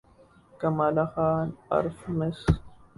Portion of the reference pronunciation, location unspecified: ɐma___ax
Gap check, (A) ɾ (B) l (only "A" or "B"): B